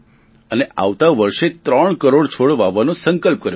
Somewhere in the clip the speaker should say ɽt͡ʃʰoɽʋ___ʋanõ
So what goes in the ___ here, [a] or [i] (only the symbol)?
a